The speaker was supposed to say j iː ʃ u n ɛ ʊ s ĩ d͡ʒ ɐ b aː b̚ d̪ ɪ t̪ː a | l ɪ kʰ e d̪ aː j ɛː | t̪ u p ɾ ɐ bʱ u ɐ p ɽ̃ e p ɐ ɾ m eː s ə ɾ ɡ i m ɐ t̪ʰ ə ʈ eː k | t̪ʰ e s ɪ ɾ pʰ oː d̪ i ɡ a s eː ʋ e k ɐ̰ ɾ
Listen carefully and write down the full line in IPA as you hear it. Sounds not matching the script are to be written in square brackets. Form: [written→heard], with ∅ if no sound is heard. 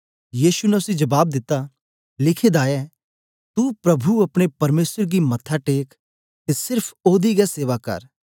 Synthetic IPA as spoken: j iː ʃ u n ɛ ʊ s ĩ d͡ʒ ɐ b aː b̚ d̪ ɪ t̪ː a | l ɪ kʰ e d̪ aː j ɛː | t̪ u p ɾ ɐ bʱ u ɐ p ɽ̃ e p ɐ ɾ m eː s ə ɾ ɡ i m ɐ t̪ʰ [ə→a] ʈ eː k | [t̪ʰ→t̪] e s ɪ ɾ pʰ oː d̪ i ɡ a s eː ʋ [e→a] k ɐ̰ ɾ